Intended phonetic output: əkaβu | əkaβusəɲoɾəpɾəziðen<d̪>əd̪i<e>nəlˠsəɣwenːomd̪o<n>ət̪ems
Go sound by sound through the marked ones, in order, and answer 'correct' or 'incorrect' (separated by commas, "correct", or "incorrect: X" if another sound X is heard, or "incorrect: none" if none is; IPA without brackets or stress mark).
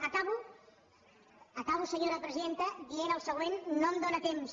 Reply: incorrect: t̪, correct, correct